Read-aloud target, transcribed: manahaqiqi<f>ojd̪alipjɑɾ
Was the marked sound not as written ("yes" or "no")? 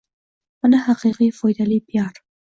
no